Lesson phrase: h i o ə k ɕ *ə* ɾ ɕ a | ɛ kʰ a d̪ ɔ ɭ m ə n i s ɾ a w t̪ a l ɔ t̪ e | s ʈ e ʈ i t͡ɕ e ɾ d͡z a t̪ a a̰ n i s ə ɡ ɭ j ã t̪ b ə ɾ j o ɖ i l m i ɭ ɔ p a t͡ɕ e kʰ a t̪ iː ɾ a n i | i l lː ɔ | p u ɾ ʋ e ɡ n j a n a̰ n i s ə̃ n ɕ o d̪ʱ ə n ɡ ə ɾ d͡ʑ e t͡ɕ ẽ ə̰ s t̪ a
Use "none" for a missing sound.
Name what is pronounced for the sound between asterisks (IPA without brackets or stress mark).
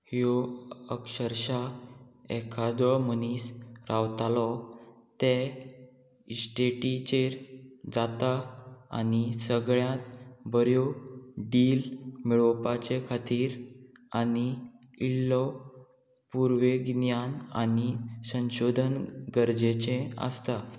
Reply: ə